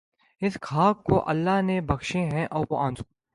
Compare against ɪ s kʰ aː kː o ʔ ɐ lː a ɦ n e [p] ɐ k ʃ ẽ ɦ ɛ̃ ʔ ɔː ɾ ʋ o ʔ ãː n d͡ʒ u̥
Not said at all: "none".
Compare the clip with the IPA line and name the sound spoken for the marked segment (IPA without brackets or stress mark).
b